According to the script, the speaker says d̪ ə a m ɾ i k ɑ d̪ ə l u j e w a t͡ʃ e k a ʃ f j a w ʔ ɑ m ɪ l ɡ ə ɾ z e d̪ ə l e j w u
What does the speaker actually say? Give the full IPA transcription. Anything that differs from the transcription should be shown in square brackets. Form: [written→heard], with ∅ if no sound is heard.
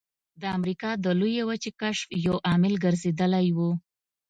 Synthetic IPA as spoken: d̪ ə a m ɾ i k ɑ d̪ ə l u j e w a t͡ʃ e k a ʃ f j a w ʔ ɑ m ɪ l ɡ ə ɾ z e d̪ ə l [e→a] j w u